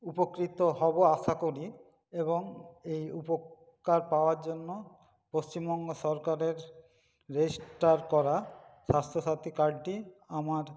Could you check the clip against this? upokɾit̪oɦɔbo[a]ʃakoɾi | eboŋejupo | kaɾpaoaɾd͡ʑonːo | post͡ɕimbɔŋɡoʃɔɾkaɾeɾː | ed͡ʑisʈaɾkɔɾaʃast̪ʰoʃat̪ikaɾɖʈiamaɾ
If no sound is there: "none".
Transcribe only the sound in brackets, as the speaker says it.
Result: a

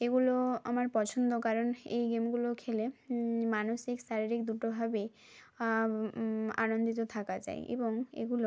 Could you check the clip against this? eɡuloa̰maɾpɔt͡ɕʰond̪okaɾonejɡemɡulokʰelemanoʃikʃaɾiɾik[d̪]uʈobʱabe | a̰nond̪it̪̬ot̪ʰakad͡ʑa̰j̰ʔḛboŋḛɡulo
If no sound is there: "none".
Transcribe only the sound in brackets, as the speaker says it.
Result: d̪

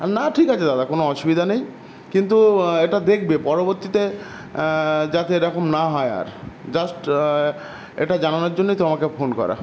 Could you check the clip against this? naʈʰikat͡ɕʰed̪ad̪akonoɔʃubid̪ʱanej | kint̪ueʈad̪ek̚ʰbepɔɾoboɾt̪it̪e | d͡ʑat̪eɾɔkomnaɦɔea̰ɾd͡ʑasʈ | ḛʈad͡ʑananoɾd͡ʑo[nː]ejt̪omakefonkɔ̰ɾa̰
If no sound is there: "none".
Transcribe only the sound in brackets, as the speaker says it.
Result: nː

